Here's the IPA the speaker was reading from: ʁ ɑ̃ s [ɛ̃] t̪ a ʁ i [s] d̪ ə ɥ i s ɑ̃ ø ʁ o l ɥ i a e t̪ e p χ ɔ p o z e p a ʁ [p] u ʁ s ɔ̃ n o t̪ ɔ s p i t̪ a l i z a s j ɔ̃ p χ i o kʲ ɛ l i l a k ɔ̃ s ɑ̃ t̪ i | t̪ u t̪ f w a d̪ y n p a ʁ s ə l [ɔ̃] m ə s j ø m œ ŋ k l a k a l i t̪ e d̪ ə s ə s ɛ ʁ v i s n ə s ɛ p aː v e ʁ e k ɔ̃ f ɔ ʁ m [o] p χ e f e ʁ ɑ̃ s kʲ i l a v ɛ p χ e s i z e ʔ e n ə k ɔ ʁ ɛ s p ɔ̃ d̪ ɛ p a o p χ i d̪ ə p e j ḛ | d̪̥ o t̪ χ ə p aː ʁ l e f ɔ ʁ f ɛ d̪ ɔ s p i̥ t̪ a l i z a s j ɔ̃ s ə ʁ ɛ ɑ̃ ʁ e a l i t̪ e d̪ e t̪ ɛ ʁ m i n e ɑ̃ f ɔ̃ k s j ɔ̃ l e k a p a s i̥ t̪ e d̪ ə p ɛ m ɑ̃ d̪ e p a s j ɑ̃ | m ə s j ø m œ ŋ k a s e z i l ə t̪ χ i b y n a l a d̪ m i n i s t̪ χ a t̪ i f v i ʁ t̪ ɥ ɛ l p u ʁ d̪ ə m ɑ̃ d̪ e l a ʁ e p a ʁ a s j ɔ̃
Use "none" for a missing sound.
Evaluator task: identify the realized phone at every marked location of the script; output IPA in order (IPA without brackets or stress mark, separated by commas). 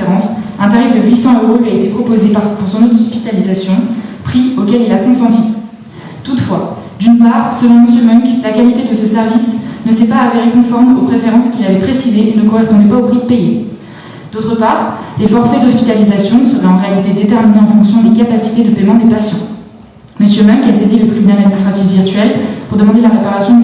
ɛ̃, f, p, ɔ̃, o